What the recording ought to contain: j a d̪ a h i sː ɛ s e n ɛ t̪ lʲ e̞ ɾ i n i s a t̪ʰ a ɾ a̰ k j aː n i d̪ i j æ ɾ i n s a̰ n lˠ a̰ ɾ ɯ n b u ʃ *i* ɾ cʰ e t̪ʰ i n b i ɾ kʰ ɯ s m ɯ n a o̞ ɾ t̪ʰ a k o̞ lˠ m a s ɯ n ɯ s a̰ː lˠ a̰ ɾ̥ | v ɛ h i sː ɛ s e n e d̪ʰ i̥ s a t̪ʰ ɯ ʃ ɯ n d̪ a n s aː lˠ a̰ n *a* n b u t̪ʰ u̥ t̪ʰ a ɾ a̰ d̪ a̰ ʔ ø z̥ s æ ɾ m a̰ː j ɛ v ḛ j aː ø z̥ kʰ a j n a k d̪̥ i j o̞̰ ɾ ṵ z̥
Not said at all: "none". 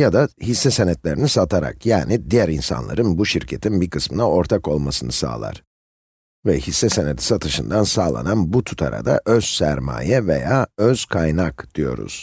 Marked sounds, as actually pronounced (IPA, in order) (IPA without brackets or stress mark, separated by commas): i, a